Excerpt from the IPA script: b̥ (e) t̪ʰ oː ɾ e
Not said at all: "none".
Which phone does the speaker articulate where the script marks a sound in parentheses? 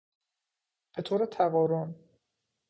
e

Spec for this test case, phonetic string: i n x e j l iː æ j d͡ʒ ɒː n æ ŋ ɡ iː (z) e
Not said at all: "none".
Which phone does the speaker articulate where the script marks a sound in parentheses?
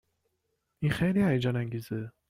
z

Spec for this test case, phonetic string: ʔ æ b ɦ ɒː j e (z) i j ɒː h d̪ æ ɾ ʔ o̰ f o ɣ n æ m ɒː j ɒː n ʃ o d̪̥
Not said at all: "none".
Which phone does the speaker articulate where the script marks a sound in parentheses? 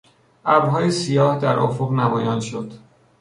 s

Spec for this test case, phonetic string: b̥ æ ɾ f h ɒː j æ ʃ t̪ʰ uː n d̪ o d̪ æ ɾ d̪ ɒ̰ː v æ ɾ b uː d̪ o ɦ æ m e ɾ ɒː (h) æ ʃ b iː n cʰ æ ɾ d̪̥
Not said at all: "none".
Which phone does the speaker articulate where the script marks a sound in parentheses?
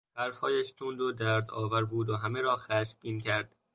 x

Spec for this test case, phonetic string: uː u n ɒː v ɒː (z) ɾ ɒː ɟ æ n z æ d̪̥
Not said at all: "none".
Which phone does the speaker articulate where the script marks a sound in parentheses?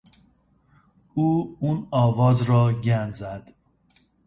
z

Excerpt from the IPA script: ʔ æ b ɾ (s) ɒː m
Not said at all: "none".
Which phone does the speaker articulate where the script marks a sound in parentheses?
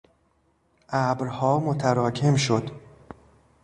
h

